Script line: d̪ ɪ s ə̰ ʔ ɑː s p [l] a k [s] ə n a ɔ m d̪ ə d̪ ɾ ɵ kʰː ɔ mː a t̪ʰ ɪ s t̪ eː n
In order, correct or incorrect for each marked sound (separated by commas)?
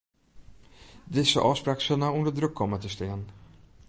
incorrect, correct